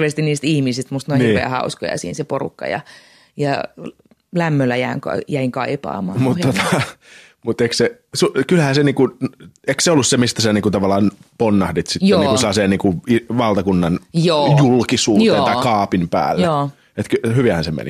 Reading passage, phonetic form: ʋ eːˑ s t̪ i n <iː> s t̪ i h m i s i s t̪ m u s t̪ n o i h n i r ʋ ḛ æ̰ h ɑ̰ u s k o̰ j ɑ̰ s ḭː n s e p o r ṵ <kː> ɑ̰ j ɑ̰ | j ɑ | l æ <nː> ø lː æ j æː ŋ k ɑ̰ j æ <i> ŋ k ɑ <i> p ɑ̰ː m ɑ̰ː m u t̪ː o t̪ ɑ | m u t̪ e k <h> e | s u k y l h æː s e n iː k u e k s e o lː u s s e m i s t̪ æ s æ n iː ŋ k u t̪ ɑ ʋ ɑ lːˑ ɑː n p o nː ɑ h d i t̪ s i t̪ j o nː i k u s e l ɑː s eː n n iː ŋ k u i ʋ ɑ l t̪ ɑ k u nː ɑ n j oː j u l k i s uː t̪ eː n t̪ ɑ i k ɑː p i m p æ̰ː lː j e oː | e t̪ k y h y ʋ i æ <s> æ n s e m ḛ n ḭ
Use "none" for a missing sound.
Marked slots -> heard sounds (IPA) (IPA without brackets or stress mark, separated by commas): iː, kː, mː, i, i, s, h